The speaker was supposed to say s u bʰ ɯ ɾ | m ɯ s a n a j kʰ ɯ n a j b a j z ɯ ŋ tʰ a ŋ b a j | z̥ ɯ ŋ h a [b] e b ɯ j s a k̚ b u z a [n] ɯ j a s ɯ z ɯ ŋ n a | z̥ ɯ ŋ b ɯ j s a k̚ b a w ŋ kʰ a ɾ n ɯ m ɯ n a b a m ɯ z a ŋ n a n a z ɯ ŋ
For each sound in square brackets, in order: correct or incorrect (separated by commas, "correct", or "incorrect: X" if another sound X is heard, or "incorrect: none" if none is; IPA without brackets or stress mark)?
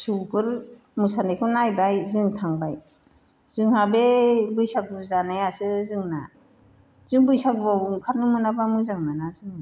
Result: correct, correct